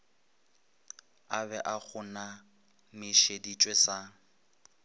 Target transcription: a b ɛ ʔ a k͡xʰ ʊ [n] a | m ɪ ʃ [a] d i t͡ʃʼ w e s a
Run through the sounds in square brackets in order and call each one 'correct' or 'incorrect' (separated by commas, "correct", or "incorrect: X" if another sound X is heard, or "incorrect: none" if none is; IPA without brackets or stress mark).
correct, incorrect: e